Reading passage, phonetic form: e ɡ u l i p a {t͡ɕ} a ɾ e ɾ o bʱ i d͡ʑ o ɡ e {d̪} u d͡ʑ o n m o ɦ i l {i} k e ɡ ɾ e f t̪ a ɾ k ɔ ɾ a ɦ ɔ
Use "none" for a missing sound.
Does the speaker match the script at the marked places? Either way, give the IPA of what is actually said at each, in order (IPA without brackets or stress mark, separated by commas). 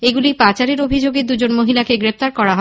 t͡ɕ, d̪, a